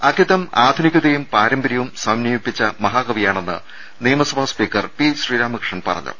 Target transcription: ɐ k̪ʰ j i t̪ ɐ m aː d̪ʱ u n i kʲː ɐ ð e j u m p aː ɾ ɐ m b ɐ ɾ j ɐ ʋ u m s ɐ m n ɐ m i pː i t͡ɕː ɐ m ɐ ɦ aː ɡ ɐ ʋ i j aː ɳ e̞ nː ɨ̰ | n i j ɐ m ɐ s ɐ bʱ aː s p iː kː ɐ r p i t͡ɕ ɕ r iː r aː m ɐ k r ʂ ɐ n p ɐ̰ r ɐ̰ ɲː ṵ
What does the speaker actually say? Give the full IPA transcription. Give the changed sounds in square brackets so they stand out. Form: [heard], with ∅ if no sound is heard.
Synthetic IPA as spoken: ɐ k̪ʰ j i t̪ ɐ m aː d̪ʱ u n i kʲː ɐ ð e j u m p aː ɾ ɐ m b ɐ ɾ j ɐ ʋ u m s ɐ m n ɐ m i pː i t͡ɕː ɐ m ɐ ɦ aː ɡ ɐ ʋ i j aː ɳ e̞ nː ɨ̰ | n i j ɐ m ɐ s ɐ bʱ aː s p iː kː ɐ r p i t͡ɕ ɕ r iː [ɾ] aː m ɐ k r ʂ ɐ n p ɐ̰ r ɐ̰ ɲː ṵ